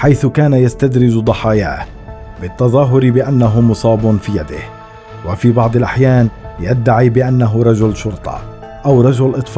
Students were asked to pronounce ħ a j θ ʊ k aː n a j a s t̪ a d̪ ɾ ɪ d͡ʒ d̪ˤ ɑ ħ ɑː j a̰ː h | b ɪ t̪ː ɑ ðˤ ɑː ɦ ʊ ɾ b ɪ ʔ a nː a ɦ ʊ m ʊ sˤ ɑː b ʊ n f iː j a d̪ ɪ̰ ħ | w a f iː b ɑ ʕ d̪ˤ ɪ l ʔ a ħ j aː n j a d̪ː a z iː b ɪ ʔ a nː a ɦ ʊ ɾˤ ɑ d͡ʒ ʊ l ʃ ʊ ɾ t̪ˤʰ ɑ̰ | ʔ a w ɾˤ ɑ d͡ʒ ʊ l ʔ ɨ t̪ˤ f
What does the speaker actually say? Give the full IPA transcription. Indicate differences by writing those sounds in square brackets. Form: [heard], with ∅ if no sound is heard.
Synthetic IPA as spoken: ħ a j θ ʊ k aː n a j a s t̪ a d̪ ɾ ɪ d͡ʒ d̪ˤ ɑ ħ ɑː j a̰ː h | b ɪ t̪ː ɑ ðˤ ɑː ɦ ʊ ɾ b ɪ ʔ a nː a ɦ ʊ m ʊ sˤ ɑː b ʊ n f iː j a d̪ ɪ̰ [h] | w a f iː b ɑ ʕ d̪ˤ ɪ l ʔ a ħ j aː n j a d̪ː a [ʕ] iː b ɪ ʔ a nː a ɦ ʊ ɾˤ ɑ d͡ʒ ʊ l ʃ ʊ ɾ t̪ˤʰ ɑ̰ | ʔ a w ɾˤ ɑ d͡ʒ ʊ l ʔ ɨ t̪ˤ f